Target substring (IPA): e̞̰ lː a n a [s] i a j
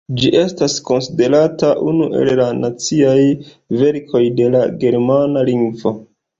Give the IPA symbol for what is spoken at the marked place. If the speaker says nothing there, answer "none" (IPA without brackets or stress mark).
t͡s